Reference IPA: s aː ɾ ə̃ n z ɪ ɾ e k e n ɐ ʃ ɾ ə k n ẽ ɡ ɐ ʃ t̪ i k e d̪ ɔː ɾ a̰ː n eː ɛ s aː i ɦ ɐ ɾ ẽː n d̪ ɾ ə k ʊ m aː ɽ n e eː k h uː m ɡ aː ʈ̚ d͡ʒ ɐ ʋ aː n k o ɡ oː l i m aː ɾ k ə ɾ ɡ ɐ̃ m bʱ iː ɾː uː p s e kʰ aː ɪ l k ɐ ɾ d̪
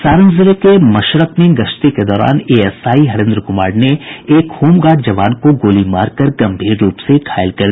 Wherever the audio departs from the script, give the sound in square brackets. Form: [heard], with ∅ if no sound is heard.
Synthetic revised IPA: s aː ɾ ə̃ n z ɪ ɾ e k e [m] ɐ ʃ ɾ ə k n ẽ ɡ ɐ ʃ t̪ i k e d̪ ɔː ɾ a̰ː n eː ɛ s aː i ɦ ɐ ɾ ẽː n d̪ ɾ ə k ʊ m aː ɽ n e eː k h uː m ɡ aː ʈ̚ d͡ʒ ɐ ʋ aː n k o ɡ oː l i m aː ɾ k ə ɾ ɡ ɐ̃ m bʱ iː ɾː uː p s e kʰ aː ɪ l k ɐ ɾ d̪